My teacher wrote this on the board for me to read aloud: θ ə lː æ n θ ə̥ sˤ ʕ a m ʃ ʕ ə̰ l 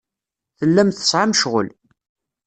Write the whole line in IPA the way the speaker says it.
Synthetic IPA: θ ə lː æ m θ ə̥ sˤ ʕ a m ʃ ʁ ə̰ l